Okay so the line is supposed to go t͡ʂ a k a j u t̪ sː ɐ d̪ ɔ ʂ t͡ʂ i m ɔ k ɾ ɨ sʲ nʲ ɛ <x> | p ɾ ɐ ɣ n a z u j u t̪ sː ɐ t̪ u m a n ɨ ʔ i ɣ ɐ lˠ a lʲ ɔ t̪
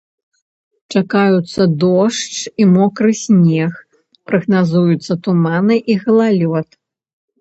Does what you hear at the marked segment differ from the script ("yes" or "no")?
no